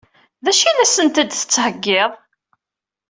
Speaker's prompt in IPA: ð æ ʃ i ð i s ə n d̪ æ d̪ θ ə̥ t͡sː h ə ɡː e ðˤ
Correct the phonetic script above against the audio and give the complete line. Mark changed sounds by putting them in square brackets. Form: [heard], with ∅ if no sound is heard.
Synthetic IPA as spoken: ð æ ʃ i ð [æ] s ə n [t̪] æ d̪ θ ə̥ t͡sː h ə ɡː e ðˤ